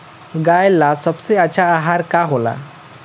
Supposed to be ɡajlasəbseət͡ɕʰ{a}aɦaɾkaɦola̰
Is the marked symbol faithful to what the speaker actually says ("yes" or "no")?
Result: yes